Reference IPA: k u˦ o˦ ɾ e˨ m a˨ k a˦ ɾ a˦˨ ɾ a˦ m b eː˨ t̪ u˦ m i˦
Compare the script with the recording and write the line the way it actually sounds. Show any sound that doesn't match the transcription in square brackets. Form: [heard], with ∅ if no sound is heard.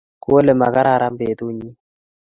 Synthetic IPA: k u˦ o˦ [l] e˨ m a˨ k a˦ ɾ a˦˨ ɾ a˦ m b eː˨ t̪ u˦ [ɲ] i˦